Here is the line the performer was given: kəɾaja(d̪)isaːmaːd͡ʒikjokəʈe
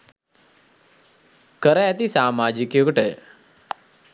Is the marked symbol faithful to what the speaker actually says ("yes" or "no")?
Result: no